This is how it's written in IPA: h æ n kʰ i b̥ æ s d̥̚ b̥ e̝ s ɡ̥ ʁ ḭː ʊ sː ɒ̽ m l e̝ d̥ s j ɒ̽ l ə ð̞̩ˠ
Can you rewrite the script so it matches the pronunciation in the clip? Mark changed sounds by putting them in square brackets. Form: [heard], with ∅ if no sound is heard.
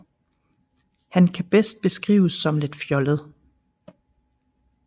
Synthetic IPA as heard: h æ n kʰ [æ] b̥ [e] s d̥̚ b̥ e̝ s ɡ̥ ʁ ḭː ʊ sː ɒ̽ m l e̝ d̥ [f] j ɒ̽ l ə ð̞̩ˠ